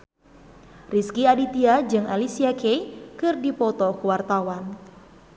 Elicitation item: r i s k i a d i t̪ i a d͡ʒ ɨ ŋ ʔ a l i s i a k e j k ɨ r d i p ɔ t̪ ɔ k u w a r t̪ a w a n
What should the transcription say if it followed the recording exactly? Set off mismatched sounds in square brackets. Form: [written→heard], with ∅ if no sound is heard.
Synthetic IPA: r i s k i a d i t̪ i a d͡ʒ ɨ ŋ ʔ a l i s i a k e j k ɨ r d i p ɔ t̪ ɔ k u w a r t̪ a w a n